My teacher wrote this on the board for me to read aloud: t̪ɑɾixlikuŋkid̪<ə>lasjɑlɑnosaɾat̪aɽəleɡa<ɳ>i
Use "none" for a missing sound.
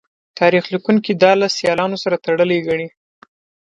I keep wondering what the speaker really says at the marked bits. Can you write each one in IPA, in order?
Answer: ɑ, ɳ

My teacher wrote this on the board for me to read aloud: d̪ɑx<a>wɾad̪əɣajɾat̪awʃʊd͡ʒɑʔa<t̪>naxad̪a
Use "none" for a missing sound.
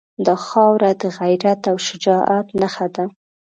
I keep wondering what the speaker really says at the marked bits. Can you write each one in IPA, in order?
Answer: ɑ, t̪

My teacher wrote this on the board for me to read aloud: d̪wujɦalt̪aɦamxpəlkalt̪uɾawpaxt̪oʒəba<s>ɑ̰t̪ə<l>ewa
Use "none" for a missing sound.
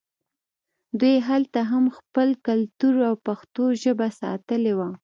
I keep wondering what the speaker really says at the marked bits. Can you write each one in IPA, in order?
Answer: s, l

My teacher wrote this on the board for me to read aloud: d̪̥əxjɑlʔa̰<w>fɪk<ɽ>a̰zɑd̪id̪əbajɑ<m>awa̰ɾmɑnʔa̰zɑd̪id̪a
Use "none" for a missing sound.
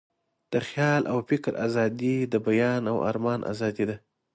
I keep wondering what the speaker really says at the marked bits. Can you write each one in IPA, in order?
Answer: w, ɾ, n

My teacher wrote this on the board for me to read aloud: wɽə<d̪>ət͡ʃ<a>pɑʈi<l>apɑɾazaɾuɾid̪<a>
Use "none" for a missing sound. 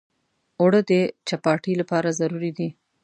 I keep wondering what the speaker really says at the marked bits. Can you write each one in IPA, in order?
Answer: d̪, a, l, i

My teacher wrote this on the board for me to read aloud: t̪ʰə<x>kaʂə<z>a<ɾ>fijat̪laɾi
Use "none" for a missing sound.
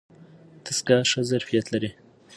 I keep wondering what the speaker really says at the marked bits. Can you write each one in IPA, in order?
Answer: s, z, ɾ

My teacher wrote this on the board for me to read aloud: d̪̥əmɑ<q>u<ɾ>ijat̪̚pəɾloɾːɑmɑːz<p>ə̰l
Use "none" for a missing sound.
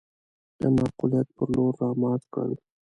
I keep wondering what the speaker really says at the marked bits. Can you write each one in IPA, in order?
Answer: q, l, k

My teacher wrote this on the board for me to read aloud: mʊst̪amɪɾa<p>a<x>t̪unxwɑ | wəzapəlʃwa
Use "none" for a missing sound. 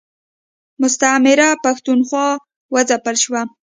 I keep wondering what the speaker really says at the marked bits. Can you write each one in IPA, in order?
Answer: p, x

